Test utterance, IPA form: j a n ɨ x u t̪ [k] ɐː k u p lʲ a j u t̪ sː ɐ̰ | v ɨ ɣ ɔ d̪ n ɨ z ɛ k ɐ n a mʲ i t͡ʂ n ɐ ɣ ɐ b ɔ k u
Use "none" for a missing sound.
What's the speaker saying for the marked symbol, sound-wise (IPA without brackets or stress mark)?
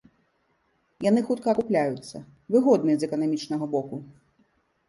k